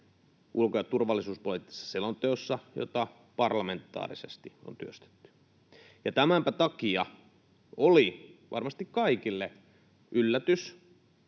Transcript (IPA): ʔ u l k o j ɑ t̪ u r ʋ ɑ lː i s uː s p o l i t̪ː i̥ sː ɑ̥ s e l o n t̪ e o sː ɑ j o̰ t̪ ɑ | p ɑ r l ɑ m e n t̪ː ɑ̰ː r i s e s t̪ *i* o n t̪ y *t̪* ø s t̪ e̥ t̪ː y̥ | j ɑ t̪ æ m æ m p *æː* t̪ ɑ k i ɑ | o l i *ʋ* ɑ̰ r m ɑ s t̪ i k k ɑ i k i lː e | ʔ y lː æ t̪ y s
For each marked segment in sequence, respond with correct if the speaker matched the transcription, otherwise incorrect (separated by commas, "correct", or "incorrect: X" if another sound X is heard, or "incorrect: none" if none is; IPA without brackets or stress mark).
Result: correct, incorrect: none, incorrect: æ, correct